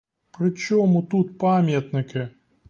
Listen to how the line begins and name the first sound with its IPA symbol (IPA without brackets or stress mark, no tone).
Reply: p